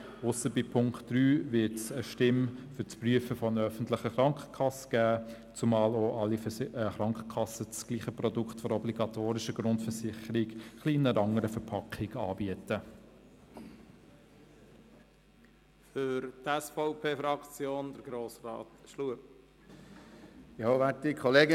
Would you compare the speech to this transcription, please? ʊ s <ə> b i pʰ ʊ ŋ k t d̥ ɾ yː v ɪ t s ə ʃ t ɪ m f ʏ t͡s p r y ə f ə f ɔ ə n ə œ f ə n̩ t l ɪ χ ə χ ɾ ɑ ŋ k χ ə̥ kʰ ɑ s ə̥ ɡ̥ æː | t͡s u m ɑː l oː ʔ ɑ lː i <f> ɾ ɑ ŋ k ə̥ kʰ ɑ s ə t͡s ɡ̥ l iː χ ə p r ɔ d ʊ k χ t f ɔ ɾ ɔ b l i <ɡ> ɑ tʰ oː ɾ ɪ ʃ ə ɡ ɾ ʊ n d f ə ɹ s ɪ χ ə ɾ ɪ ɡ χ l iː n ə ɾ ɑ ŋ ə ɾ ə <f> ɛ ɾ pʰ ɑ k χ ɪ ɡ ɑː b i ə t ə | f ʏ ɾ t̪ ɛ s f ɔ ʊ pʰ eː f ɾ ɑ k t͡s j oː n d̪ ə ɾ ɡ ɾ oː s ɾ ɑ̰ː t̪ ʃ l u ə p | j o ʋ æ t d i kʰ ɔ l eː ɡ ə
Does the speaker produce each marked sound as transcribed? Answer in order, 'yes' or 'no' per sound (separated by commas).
yes, no, yes, yes